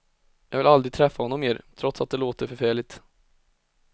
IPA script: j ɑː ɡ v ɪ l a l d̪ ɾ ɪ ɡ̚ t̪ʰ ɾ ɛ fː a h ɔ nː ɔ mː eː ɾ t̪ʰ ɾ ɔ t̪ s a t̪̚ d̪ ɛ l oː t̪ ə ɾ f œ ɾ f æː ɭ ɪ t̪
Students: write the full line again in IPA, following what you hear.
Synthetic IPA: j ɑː ɡ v ɪ l a l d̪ ɾ ɪ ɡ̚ t̪ʰ ɾ ɛ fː a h ɔ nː ɔ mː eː ɾ t̪ʰ ɾ ɔ t̪ s a t̪̚ d̪ ɛ l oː t̪ ə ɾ f œ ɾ f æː ɭ ɪ t̪

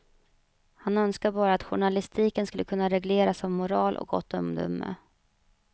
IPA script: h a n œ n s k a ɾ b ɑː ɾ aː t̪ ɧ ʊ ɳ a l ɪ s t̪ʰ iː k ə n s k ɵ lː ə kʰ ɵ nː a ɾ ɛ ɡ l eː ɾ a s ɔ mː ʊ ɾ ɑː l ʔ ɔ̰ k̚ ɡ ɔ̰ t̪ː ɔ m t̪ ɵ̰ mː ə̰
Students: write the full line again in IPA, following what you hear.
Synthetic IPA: h a n œ n s k a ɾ b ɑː ɾ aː t̪ ɧ ʊ ɳ a l ɪ s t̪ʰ iː k ə n s k ɵ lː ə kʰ ɵ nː a ɾ ɛ ɡ l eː ɾ a s ɔ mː ʊ ɾ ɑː l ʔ ɔ̰ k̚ ɡ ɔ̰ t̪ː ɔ m d̪ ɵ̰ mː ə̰

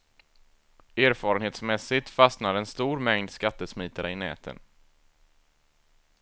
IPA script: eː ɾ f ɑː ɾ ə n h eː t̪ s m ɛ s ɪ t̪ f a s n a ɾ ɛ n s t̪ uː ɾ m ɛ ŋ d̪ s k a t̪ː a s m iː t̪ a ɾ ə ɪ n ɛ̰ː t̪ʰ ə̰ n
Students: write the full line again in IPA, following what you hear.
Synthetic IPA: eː ɾ f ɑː ɾ ə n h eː t̪ s m ɛ s ɪ t̪ f a s n a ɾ ɛ n s t̪ uː ɾ m ɛ ŋ d̪ s k a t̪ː ə s m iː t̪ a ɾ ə ɪ n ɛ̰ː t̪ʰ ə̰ n

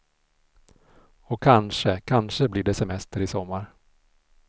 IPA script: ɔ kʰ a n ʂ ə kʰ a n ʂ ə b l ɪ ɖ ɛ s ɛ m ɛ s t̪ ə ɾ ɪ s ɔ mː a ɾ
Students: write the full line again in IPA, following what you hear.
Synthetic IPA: ɔ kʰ a n ʂ ə kʰ a n ʂ ə b l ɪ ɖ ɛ s ɛ m ɛ s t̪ ə ɾ ɪ s ɔ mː a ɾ

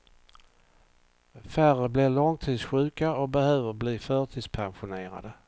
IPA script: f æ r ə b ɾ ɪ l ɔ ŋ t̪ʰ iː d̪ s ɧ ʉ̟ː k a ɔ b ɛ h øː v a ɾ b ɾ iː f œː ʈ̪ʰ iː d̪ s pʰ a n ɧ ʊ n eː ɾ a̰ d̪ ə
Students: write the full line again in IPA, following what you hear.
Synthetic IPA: f æ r ə b l ɪ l ɔ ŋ t̪ʰ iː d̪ s ɧ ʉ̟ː k a ɔ b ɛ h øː v ə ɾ b l iː f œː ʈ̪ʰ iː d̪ s pʰ a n ɧ ʊ n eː ɾ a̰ d̪ ə

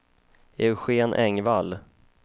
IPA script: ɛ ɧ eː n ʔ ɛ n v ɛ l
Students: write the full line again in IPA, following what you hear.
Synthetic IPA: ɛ ɧ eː n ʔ ɛ ŋ v a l

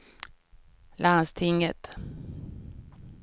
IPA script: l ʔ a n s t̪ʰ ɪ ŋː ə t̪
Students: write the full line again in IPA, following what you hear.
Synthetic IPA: l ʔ a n s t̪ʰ ɪ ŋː ə t̪

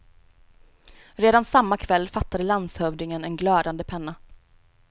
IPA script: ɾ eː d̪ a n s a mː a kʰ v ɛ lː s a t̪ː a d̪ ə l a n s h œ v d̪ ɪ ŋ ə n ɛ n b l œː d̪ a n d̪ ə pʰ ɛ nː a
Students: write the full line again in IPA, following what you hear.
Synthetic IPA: ɾ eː d̪ a n s a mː a kʰ v ɛ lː f a t̪ː a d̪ ə l a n s h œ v d̪ ɪ ŋ ə n ɛ n ɡ l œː d̪ a n d̪ ə pʰ ɛ nː a

